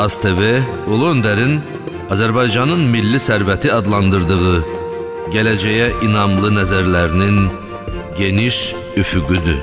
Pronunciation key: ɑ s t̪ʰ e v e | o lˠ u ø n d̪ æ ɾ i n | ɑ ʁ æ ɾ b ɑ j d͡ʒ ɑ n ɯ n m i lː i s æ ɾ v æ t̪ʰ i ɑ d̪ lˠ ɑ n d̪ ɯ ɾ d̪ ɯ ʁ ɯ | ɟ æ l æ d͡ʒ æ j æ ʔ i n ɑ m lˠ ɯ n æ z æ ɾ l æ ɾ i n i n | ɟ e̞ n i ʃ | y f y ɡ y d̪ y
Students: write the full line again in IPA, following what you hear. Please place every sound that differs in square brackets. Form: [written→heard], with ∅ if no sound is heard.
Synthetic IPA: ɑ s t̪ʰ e v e | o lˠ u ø n d̪ æ ɾ i n | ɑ [ʁ→z] æ ɾ b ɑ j d͡ʒ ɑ n ɯ n m i lː i s æ ɾ v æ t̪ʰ i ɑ d̪ lˠ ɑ n d̪ ɯ ɾ d̪ ɯ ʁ ɯ | ɟ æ l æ d͡ʒ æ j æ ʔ i n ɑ m lˠ ɯ n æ z æ ɾ l æ ɾ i n i n | ɟ e̞ n i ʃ | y f y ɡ y d̪ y